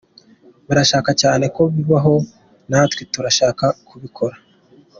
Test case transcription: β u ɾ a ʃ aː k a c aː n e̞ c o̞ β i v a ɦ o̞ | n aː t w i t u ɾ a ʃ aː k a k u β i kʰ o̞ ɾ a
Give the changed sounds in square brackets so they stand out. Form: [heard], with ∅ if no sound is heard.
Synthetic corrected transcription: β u ɾ a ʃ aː k a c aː n e̞ [k] o̞ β i [β] a ɦ o̞ | n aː t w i t u ɾ a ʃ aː k a k u β i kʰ o̞ ɾ a